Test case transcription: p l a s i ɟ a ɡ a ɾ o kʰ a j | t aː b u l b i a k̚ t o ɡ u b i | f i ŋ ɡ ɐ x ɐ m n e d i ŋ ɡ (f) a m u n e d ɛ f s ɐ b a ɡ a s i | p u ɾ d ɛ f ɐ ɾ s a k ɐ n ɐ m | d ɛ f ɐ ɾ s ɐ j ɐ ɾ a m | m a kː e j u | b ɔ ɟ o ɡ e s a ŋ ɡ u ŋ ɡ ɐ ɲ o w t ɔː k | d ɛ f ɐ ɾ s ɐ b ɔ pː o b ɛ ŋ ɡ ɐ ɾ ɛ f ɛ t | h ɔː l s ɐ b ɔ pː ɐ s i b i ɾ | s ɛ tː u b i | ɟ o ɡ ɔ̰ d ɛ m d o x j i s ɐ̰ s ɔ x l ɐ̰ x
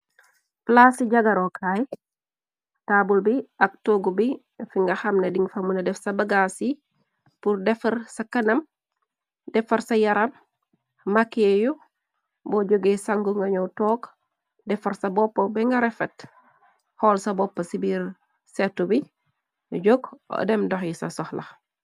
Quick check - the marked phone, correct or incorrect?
correct